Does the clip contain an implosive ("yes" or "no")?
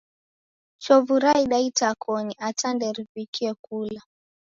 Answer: yes